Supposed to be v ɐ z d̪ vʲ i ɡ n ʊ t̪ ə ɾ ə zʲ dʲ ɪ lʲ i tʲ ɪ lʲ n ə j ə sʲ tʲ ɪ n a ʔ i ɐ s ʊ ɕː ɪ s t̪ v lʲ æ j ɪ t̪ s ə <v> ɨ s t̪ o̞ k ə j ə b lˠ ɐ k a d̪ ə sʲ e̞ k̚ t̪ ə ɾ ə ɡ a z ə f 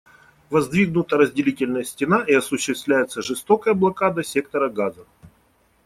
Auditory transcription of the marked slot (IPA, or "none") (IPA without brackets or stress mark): ʐ